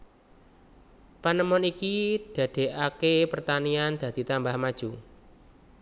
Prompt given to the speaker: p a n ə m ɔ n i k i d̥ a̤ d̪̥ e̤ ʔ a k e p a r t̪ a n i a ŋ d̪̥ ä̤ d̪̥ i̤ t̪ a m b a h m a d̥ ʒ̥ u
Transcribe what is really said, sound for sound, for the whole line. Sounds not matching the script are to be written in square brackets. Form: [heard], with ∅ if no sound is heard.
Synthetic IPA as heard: p a n ə m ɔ n i k i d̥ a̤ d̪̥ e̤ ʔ a k e p [ə] r t̪ a n i a [n] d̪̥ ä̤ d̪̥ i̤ t̪ a m b a h m a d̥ ʒ̥ u